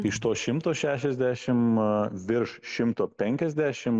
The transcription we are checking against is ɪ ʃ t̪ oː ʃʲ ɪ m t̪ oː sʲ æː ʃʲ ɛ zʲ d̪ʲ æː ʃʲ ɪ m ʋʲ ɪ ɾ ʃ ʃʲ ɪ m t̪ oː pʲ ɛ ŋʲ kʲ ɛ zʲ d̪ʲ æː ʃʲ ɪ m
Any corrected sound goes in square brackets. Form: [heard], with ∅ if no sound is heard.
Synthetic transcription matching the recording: ɪ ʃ t̪ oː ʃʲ ɪ m t̪ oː [ʃʲ] æː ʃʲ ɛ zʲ d̪ʲ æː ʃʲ ɪ m ʋʲ ɪ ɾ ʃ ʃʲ ɪ m t̪ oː pʲ ɛ ŋʲ kʲ ɛ zʲ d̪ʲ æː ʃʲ ɪ m